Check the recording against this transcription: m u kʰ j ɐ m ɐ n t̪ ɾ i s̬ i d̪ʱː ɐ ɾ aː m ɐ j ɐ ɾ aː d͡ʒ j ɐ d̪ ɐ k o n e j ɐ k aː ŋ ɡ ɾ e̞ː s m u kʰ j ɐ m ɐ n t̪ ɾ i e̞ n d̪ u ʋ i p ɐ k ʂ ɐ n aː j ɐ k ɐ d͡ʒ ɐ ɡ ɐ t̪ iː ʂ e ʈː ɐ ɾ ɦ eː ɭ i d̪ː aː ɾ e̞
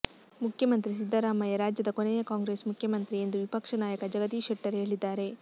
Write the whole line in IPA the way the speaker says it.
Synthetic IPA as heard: m u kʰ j ɐ m ɐ n t̪ ɾ i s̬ i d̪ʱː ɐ ɾ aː m ɐ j ɐ ɾ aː d͡ʒ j ɐ d̪ ɐ k o n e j ɐ k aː ŋ ɡ ɾ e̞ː s m u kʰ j ɐ m ɐ n t̪ ɾ i e̞ n d̪ u ʋ i p ɐ k ʂ ɐ n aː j ɐ k ɐ d͡ʒ ɐ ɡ ɐ t̪ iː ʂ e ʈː ɐ ɾ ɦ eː ɭ i d̪ː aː ɾ e̞

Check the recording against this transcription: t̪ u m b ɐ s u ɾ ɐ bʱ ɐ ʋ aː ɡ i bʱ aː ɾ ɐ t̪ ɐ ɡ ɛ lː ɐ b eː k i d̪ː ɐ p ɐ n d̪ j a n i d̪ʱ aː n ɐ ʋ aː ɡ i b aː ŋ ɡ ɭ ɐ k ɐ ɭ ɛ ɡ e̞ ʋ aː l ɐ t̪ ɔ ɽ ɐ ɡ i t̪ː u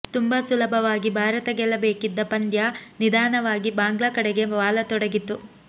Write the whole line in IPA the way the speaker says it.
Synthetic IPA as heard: t̪ u m b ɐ s u l ɐ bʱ ɐ ʋ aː ɡ i bʱ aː ɾ ɐ t̪ ɐ ɡ ɛ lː ɐ b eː k i d̪ː ɐ p ɐ n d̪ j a n i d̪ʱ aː n ɐ ʋ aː ɡ i b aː ŋ ɡ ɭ ɐ k ɐ ɽ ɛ ɡ e̞ ʋ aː l ɐ t̪ ɔ ɽ ɐ ɡ i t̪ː u

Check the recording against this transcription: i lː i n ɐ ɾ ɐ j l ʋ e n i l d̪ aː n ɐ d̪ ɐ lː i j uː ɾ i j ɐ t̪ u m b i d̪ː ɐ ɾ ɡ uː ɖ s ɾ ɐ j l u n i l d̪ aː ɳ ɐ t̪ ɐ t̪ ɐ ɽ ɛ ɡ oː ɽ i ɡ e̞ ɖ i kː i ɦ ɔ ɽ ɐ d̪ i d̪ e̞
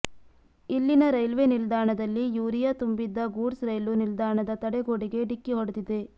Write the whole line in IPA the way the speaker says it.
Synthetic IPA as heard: i lː i n ɐ ɾ ɐ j l ʋ e n i l d̪ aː ɳ ɐ d̪ ɐ lː i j uː ɾ i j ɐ t̪ u m b i d̪ː ɐ ɡ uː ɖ s ɾ ɐ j l u n i l d̪ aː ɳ ɐ d̪ ɐ t̪ ɐ ɽ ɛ ɡ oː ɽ i ɡ e̞ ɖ i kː i ɦ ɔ ɽ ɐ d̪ i d̪ e̞

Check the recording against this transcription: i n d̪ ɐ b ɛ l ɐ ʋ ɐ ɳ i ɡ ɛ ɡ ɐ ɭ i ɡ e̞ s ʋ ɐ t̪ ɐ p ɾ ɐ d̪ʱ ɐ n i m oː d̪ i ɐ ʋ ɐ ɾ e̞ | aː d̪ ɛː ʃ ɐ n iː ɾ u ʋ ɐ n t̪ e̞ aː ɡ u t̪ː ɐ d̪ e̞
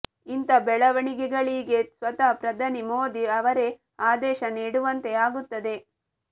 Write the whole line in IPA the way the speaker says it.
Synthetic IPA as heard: i n t̪ ɐ b ɛ ɭ ɐ ʋ ɐ ɳ i ɡ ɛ ɡ ɐ ɭ i ɡ e̞ s ʋ ɐ t̪ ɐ p ɾ ɐ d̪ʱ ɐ n i m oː d̪ i ɐ ʋ ɐ ɾ e̞ | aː d̪ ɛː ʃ ɐ n iː ɽ u ʋ ɐ n t̪ e̞ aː ɡ u t̪ː ɐ d̪ e̞

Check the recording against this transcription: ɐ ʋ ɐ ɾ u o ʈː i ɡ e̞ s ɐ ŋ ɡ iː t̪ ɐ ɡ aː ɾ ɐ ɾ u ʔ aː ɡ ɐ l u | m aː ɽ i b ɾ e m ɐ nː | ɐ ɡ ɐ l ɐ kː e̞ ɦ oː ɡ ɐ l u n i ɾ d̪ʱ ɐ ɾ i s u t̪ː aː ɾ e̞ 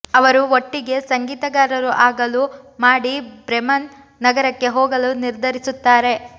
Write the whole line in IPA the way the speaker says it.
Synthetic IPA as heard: ɐ ʋ ɐ ɾ u o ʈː i ɡ e̞ s ɐ ŋ ɡ iː t̪ ɐ ɡ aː ɾ ɐ ɾ u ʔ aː ɡ ɐ l u | m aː ɽ i b ɾ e m ɐ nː | ɐ ɡ ɐ ɾ ɐ kː e̞ ɦ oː ɡ ɐ l u n i ɾ d̪ʱ ɐ ɾ i s u t̪ː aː ɾ e̞

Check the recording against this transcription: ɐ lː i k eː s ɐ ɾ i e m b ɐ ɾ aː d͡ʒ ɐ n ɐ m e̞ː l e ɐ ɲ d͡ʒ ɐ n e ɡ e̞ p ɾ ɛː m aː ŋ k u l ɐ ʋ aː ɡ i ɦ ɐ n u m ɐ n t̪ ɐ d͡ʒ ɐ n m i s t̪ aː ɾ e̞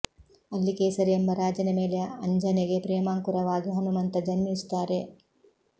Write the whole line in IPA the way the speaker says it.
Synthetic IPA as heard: ɐ lː i k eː s ɐ ɾ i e m b ɐ ɾ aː d͡ʒ ɐ n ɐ m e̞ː l e ɐ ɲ d͡ʒ ɐ n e ɡ e̞ p ɾ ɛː m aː ŋ k u ɾ ɐ ʋ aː ɡ i ɦ ɐ n u m ɐ n t̪ ɐ d͡ʒ ɐ n m i s t̪ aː ɾ e̞

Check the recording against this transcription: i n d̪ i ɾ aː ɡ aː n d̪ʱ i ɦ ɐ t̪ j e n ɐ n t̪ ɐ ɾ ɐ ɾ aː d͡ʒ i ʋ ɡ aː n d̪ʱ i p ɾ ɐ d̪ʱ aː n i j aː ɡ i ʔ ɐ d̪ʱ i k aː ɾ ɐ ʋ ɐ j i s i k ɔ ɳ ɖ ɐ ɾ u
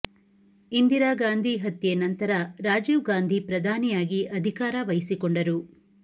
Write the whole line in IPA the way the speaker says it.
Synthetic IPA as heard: i n d̪ i ɾ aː ɡ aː n d̪ʱ i ɦ ɐ t̪ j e n ɐ n t̪ ɐ ɾ ɐ ɾ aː d͡ʒ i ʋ ɡ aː n d̪ʱ i p ɾ ɐ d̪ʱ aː n i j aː ɡ i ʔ ɐ d̪ʱ i k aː ɾ ɐ ʋ ɐ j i s i k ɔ ɳ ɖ ɐ ɾ u

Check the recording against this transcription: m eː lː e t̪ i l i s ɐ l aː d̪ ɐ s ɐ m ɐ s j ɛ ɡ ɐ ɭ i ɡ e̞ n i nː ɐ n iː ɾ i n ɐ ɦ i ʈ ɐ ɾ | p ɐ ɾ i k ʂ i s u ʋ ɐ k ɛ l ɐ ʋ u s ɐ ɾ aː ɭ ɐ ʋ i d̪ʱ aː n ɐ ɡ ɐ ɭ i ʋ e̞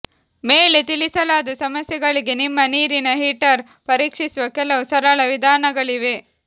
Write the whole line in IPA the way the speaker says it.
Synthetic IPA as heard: m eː l e t̪ i l i s ɐ l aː d̪ ɐ s ɐ m ɐ s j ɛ ɡ ɐ ɭ i ɡ e̞ n i mː ɐ n iː ɾ i n ɐ ɦ i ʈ ɐ ɾ | p ɐ ɾ iː k ʂ i s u ʋ ɐ k ɛ l ɐ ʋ u s ɐ ɾ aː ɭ ɐ ʋ i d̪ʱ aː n ɐ ɡ ɐ ɭ i ʋ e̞

